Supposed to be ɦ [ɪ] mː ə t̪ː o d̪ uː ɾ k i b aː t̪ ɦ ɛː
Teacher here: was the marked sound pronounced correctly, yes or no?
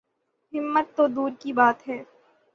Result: yes